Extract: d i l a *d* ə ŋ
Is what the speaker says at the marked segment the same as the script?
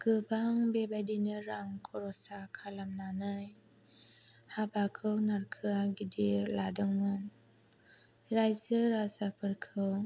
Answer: yes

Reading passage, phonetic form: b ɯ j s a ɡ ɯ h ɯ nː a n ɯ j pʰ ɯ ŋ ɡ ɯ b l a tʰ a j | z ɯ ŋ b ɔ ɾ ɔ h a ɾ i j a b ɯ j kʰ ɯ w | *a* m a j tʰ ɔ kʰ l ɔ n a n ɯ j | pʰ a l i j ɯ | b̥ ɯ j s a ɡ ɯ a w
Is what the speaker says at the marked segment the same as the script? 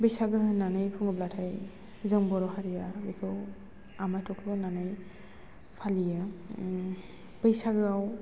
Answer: yes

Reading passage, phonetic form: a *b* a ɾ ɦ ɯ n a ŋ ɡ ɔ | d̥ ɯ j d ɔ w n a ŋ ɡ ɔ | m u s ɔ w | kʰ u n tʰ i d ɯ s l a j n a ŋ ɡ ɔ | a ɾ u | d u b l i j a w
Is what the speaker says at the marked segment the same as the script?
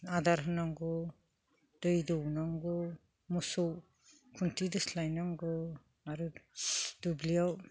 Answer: no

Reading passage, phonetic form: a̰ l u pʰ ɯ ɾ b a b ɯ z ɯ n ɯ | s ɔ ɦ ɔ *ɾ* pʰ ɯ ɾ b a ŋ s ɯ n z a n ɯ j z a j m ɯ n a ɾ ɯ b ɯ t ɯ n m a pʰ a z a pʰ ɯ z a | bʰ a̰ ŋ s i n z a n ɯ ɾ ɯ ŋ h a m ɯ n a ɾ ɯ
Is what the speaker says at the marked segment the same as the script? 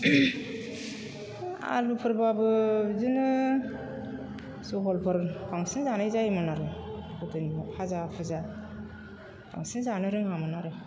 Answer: no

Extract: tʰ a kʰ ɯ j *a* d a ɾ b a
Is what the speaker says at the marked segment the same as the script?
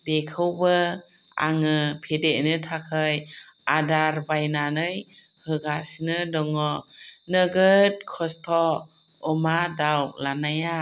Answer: yes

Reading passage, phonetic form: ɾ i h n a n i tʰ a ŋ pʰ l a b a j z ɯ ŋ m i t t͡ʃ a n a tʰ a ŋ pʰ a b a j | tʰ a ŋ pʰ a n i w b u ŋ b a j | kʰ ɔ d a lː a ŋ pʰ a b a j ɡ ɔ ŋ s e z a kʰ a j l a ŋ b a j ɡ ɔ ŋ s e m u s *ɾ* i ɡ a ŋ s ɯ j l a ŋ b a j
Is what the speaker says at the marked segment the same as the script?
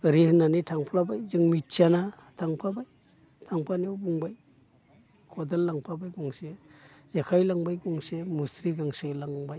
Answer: yes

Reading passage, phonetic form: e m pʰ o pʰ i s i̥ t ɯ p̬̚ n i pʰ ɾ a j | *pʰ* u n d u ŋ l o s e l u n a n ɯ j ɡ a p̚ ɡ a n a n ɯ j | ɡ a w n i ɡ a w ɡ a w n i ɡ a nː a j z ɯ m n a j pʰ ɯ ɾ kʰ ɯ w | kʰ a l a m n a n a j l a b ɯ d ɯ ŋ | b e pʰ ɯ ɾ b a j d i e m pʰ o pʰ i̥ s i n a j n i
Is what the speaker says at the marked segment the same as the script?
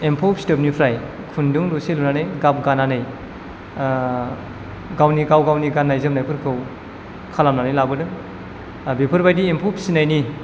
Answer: no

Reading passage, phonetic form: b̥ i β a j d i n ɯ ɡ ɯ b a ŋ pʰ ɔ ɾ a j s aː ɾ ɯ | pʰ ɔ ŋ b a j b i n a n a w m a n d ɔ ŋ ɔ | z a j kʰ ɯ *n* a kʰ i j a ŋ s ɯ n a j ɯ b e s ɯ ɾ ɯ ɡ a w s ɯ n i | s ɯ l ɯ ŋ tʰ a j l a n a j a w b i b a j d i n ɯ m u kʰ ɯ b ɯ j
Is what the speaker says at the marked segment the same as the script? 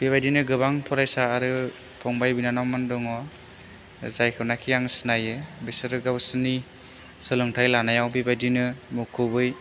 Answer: yes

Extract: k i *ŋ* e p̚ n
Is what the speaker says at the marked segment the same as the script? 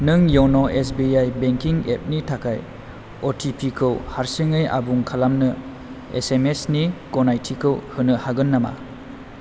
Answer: yes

